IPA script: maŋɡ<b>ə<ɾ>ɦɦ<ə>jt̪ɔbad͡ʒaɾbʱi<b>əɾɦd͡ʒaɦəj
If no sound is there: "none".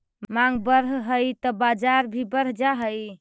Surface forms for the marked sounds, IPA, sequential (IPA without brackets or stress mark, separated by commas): b, ɾ, ə, b